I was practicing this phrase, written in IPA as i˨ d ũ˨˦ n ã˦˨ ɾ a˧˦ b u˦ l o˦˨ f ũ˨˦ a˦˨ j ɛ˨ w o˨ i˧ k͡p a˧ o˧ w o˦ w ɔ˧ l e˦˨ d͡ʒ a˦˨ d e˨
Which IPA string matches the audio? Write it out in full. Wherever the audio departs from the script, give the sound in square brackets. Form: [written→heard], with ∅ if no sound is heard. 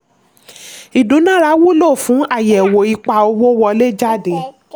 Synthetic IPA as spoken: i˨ d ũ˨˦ n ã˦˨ ɾ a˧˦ [b→w] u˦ l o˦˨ f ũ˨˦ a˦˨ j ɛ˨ w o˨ i˧ k͡p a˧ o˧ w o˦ w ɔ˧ l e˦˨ d͡ʒ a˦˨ d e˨